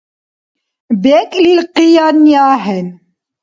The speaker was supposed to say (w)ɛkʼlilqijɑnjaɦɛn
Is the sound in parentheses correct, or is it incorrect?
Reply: incorrect